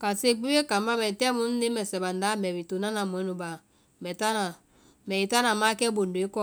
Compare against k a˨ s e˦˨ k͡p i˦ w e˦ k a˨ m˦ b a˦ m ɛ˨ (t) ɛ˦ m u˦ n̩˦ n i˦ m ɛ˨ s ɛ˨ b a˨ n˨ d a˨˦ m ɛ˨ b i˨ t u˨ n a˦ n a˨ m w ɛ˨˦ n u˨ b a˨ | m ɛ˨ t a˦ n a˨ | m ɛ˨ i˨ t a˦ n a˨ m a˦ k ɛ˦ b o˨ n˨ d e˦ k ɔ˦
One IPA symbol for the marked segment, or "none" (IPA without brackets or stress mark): t